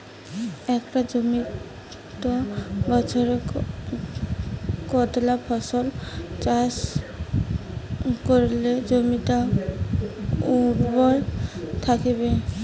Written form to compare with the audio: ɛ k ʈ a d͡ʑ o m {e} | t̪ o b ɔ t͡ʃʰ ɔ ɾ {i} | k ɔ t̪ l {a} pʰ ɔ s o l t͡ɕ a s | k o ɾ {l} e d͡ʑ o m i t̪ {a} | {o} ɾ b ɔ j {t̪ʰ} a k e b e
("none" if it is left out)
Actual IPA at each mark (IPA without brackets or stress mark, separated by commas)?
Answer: i, e, a, l, a, u, t̪ʰ